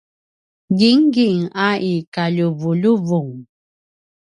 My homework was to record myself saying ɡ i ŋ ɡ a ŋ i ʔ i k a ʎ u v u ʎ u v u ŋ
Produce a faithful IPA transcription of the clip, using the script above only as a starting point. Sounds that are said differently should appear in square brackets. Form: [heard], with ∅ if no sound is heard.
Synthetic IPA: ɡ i ŋ ɡ [i] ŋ [a] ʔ i k a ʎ u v u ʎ u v u ŋ

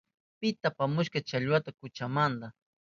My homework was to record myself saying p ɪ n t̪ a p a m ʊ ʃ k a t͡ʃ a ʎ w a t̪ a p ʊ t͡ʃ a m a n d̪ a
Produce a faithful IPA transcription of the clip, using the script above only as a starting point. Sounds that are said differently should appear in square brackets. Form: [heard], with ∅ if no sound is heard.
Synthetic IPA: p ɪ [∅] t̪ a p a m ʊ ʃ k a t͡ʃ a ʎ w a t̪ a [k] ʊ t͡ʃ a m a n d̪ a

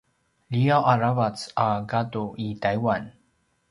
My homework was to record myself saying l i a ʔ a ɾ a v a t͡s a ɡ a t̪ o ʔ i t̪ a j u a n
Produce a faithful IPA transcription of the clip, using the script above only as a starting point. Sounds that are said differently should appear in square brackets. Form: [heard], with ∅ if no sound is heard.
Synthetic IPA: l i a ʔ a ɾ a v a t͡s a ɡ a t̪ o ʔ i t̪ a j [w] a n

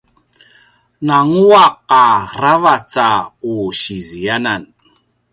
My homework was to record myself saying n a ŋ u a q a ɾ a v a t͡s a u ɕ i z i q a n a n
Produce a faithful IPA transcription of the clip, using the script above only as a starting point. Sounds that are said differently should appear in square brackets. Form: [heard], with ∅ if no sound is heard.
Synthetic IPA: n a ŋ u a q a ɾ a v a t͡s a u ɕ i z i [∅] a n a n

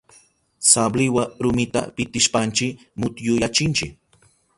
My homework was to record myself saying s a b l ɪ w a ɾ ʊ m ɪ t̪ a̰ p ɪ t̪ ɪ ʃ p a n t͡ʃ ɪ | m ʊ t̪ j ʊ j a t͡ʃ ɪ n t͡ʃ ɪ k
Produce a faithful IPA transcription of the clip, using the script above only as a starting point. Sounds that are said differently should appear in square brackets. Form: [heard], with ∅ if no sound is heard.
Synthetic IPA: s a b l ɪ w a ɾ ʊ m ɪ t̪ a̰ p ɪ t̪ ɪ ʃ p a n t͡ʃ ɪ | m ʊ t̪ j ʊ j a t͡ʃ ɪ n t͡ʃ ɪ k

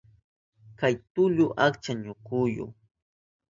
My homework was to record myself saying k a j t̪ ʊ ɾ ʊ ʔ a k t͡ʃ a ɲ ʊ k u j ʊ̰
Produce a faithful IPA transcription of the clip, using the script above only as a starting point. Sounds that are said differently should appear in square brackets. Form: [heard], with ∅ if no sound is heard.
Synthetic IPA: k a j t̪ ʊ [ʎ] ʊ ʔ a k t͡ʃ a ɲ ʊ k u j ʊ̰

